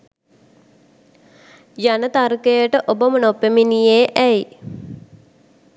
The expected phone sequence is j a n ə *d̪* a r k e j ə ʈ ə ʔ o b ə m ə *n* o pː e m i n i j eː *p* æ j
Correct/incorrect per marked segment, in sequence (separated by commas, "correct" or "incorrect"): incorrect, correct, incorrect